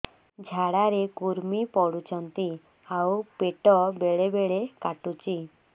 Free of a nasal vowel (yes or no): yes